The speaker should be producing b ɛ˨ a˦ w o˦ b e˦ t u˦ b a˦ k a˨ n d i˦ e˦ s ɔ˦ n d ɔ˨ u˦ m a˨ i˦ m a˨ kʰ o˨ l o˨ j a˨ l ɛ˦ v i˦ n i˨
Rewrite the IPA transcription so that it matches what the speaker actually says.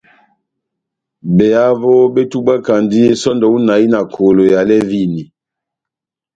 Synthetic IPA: b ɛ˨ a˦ v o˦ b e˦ t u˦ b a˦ k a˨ n d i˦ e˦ s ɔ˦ n d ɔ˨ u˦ n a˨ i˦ n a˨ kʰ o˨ l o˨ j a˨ l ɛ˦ v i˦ n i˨

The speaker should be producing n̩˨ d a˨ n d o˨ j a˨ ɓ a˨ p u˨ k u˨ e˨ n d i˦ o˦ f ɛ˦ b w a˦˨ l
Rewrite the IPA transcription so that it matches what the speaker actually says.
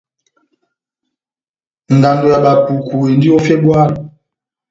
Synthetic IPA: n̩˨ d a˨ n d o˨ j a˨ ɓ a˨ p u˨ k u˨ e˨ n d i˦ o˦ f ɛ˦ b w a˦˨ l

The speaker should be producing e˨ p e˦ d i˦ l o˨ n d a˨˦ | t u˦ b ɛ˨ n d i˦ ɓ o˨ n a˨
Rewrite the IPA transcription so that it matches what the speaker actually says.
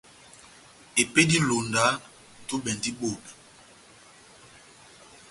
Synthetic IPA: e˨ p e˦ d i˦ l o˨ n d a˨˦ | t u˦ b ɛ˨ n d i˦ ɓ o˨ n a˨

